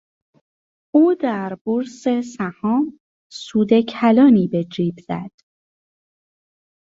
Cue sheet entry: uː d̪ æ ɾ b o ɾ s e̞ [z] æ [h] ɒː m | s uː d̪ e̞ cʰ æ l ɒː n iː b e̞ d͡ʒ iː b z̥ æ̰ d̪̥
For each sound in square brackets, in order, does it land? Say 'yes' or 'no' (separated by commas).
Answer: no, yes